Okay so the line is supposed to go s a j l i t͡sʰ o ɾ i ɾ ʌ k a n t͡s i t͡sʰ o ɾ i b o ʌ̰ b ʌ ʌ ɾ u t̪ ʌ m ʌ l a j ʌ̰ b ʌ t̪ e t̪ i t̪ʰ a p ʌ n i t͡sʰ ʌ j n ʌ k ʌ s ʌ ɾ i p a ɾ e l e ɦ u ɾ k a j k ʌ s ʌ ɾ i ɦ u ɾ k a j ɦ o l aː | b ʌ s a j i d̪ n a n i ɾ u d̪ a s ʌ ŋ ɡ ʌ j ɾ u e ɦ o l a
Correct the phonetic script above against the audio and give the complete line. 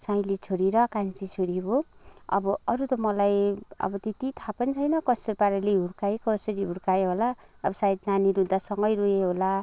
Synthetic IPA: s a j l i t͡sʰ o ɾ i ɾ ʌ k a n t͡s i t͡sʰ o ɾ i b o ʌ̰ b ʌ ʌ ɾ u t̪ ʌ m ʌ l a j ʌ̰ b ʌ t̪ e t̪ i t̪ʰ a p ʌ n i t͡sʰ ʌ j n ʌ k ʌ s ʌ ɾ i p a ɾ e l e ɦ u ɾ k a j k ʌ s ʌ ɾ i ɦ u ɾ k a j ɦ o l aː | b ʌ s a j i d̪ n a n i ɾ u d̪ a s ʌ ŋ ɡ ʌ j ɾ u e ɦ o l a